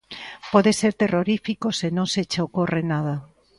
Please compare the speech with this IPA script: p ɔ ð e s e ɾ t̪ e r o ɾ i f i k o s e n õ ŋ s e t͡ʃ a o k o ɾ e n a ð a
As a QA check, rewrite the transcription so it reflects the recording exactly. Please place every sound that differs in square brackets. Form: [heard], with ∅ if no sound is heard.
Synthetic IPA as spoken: p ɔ ð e s e ɾ t̪ e r o ɾ i f i k o s e n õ ŋ s e t͡ʃ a o k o [r] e n a ð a